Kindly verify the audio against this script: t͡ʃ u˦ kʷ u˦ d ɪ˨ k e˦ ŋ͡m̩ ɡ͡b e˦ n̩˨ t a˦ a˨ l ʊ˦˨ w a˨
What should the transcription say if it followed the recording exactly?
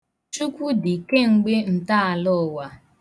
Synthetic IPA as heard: t͡ʃ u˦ kʷ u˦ d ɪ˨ k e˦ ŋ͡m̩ ɡ͡b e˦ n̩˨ t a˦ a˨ l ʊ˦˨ w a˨